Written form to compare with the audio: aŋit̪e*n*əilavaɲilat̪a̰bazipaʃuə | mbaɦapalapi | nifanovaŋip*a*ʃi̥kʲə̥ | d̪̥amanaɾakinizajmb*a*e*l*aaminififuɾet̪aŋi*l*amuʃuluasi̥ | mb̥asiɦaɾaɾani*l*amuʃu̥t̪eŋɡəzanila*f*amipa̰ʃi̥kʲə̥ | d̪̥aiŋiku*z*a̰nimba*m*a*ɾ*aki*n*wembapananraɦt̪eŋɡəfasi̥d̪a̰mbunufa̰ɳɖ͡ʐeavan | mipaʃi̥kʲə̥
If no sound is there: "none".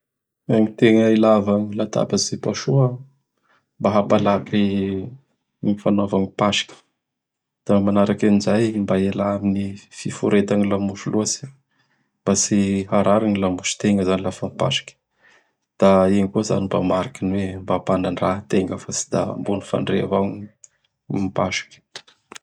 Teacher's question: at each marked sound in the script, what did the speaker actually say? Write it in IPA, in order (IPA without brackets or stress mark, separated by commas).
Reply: ŋ, a, a, l, l, l, f, z, m, ɾ, n